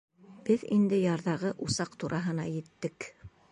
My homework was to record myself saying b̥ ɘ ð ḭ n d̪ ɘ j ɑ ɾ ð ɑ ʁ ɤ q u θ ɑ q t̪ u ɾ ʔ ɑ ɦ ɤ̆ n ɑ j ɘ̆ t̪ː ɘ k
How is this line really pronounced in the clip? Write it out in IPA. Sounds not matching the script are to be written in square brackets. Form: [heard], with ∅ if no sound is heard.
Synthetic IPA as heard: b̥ ɘ ð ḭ n d̪ ɘ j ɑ ɾ ð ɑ ʁ ɤ [ʔ] u [s] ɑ q t̪ u ɾ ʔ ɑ ɦ ɤ̆ n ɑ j ɘ̆ t̪ː ɘ k